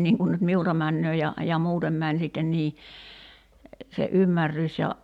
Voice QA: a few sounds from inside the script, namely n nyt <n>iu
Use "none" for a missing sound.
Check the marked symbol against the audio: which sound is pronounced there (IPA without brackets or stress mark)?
m